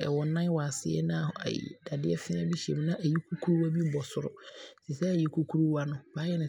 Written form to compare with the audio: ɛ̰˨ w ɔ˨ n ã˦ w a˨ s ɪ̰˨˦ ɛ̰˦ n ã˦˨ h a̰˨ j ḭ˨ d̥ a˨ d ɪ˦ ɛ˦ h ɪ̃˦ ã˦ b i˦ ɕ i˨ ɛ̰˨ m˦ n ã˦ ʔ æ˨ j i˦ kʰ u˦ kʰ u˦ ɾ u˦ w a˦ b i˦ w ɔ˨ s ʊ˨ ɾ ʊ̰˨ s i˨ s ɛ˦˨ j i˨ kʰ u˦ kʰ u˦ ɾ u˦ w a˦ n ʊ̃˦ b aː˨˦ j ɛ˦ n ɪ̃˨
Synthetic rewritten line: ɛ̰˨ w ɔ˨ n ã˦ w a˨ s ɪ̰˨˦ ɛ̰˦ n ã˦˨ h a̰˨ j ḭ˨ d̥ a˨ d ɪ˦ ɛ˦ f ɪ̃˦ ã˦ b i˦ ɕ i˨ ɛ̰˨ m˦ n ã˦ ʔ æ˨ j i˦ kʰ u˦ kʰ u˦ ɾ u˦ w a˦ b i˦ b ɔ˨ s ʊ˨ ɾ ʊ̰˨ s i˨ s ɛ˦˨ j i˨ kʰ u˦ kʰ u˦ ɾ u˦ w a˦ n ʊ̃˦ b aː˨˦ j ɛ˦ n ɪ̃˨